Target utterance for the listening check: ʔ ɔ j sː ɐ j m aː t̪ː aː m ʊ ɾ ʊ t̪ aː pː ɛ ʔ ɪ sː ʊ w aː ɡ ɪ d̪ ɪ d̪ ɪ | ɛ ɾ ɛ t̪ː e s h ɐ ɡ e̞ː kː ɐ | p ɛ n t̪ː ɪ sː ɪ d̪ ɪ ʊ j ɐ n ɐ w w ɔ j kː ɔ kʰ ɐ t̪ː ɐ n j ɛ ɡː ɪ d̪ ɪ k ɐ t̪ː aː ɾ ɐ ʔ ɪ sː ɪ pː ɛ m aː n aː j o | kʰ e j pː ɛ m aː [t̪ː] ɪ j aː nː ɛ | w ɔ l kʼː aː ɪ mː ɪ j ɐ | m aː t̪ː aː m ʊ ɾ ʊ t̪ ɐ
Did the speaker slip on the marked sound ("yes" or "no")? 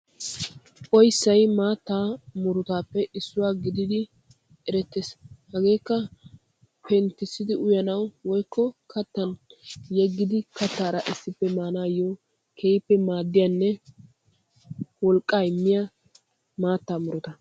yes